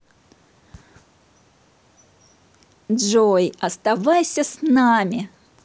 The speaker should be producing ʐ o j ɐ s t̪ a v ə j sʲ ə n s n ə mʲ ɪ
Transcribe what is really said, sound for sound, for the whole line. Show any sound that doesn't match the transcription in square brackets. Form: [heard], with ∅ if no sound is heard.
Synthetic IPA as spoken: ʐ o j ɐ s t̪ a v [a] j sʲ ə [∅] s n [a] mʲ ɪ